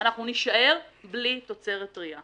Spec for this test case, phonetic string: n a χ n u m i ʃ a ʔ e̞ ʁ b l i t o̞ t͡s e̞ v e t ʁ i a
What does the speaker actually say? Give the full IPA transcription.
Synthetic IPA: n a χ n u n i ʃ a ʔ e̞ ʁ b l i t o̞ t͡s e̞ ʁ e t ʁ i a